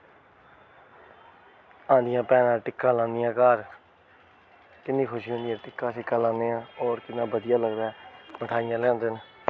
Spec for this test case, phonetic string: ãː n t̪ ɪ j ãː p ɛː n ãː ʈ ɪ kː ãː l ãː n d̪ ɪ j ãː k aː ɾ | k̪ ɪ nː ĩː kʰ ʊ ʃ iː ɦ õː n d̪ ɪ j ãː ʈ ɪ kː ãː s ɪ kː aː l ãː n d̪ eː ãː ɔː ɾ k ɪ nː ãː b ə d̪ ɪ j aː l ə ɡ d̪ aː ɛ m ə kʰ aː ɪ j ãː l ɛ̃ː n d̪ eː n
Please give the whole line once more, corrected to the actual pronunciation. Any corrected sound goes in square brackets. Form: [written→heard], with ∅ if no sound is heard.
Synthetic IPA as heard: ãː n [t̪→d̪] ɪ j ãː p ɛː n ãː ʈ ɪ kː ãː l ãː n d̪ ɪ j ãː k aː ɾ | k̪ ɪ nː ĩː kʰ ʊ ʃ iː ɦ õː n d̪ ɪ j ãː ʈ ɪ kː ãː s ɪ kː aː l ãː n d̪ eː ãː ɔː ɾ k ɪ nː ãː b ə d̪ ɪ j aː l ə ɡ d̪ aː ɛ m ə [kʰ→ʈʰ] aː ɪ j ãː l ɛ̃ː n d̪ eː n